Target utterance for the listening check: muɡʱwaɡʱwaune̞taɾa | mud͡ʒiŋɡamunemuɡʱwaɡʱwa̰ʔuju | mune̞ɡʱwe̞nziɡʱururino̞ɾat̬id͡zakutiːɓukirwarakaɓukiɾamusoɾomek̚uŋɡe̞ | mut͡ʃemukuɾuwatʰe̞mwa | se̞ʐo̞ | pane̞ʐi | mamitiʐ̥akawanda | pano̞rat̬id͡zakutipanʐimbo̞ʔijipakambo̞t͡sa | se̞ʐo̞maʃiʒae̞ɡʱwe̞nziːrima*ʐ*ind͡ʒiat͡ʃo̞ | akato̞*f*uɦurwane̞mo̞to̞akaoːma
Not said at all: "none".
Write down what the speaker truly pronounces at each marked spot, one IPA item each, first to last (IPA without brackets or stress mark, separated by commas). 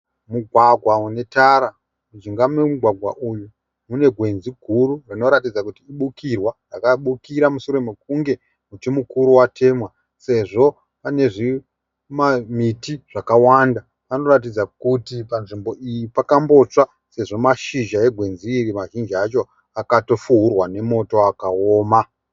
ʒ, f